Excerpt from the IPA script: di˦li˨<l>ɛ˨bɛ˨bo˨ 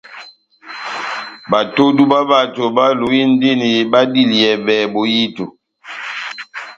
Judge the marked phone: incorrect: none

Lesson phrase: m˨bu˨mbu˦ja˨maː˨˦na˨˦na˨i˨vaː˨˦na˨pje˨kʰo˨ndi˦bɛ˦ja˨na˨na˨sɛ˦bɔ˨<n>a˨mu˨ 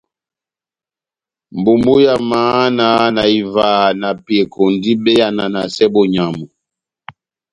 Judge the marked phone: incorrect: ɲ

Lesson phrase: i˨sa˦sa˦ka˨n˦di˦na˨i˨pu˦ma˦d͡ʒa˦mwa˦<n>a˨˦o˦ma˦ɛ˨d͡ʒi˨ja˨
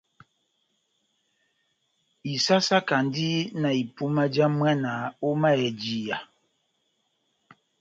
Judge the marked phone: correct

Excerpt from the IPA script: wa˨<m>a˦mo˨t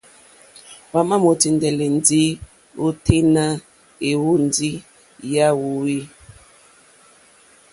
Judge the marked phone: correct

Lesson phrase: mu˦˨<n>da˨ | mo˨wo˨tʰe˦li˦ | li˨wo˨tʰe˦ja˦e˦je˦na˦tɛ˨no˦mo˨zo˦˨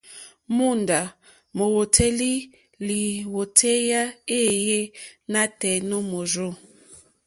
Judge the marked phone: correct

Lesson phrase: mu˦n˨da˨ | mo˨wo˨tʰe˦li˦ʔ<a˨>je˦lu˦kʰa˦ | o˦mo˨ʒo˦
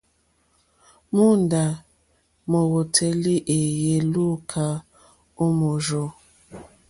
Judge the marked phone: incorrect: e˨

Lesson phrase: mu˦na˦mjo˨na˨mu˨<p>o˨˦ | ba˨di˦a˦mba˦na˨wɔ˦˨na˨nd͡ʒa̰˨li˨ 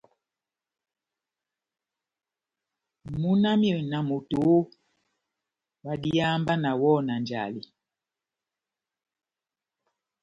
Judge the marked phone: incorrect: t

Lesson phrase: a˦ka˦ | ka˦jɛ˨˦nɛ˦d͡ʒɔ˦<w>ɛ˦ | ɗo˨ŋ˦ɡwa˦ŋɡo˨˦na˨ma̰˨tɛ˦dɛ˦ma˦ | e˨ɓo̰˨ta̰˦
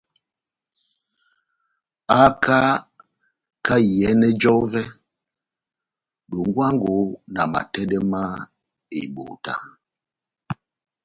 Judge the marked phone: incorrect: v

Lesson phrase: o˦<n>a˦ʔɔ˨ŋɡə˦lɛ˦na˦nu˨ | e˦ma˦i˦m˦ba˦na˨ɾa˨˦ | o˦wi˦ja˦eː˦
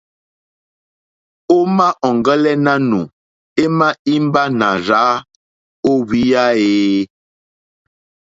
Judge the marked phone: incorrect: m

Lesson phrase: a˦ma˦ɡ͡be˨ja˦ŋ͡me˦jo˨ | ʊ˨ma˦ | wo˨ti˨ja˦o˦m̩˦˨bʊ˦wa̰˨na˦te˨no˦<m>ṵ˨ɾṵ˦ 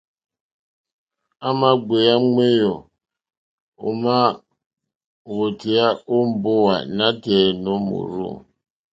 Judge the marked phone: correct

